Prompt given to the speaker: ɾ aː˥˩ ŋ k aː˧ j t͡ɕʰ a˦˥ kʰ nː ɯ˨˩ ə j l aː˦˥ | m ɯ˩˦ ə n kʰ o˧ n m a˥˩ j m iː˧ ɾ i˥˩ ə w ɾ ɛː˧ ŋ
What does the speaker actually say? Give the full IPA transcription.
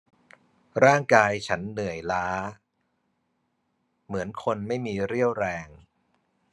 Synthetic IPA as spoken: ɾ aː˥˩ ŋ k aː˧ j t͡ɕʰ a˦˥ nː ɯ˨˩ ə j l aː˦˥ | m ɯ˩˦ ə n kʰ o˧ n m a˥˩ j m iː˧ ɾ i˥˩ ə w ɾ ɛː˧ ŋ

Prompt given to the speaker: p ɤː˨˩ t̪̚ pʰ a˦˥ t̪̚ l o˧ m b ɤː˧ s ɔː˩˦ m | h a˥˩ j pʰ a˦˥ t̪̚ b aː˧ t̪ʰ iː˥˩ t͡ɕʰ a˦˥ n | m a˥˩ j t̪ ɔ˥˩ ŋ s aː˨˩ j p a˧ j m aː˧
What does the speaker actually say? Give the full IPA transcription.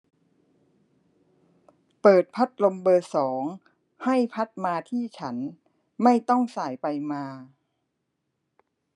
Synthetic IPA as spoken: p ɤː˨˩ t̪̚ pʰ a˦˥ t̪̚ l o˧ m b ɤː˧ s ɔː˩˦ ŋ | h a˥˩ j pʰ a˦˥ t̪̚ m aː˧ t̪ʰ iː˥˩ t͡ɕʰ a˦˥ n | m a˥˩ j t̪ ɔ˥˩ ŋ s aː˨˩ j p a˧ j m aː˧

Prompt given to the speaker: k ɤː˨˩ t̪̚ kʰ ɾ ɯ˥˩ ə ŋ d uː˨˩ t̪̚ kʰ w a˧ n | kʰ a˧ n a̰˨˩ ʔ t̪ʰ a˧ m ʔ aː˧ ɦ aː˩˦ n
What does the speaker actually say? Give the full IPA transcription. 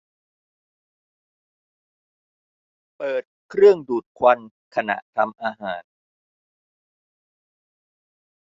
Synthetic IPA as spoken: p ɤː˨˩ t̪̚ kʰ ɾ ɯ˥˩ ə ŋ d uː˨˩ t̪̚ kʰ w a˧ n | kʰ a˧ n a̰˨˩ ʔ t̪ʰ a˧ m ʔ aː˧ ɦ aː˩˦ n

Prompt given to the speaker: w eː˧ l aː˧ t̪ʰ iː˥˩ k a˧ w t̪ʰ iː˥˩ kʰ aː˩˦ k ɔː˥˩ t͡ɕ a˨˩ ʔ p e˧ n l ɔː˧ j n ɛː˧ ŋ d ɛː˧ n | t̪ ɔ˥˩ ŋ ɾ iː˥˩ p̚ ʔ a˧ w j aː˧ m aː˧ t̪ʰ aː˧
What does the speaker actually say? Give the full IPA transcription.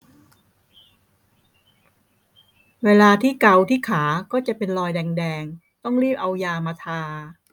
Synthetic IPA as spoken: w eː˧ l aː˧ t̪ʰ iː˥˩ k a˧ w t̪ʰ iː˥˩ kʰ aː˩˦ k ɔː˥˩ t͡ɕ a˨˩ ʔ p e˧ n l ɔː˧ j d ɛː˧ ŋ d ɛː˧ ŋ | t̪ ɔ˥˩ ŋ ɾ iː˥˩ p̚ ʔ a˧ w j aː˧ m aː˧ t̪ʰ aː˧

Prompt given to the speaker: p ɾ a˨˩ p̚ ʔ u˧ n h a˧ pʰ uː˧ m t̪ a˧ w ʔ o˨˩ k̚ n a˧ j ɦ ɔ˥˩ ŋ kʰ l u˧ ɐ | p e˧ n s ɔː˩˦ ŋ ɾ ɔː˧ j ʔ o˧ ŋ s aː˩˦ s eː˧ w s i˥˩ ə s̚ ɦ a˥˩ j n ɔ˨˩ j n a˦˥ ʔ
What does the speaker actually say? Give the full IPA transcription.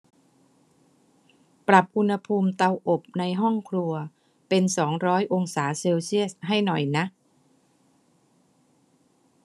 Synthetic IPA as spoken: p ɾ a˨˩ p̚ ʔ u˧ n h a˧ pʰ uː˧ m t̪ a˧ w ʔ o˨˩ p̚ n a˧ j ɦ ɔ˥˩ ŋ kʰ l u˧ ɐ | p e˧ n s ɔː˩˦ ŋ ɾ ɔː˦˥ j ʔ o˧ ŋ s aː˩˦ s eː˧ w s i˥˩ ə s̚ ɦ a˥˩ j n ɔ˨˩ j n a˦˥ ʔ

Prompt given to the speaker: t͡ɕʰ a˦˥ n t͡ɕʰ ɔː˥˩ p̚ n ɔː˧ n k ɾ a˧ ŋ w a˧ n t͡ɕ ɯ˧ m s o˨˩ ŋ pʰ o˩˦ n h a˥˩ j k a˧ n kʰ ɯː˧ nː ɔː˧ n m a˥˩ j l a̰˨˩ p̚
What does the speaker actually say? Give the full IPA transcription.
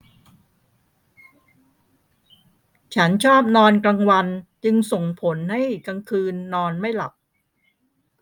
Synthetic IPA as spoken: t͡ɕʰ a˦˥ n t͡ɕʰ ɔː˥˩ p̚ n ɔː˧ n k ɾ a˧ ŋ w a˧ n t͡ɕ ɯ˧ ŋ s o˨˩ ŋ pʰ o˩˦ n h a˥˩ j k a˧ ŋ kʰ ɯː˧ nː ɔː˧ n m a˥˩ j l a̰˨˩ p̚

